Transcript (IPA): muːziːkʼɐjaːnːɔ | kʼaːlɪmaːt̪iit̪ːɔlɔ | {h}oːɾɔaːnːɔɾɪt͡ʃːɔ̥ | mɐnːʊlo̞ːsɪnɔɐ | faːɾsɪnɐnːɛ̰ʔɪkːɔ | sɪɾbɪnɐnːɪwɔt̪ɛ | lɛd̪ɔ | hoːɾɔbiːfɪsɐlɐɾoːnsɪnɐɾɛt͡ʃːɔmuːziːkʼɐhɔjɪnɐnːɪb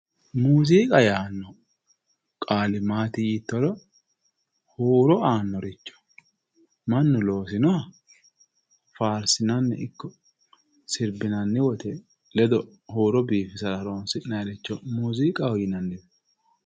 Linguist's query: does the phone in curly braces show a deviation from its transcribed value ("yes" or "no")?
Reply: no